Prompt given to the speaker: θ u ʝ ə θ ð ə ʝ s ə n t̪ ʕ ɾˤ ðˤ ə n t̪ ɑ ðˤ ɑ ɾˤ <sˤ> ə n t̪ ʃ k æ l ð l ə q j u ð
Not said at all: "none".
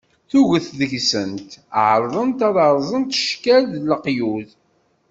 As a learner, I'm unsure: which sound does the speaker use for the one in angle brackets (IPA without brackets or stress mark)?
zˤ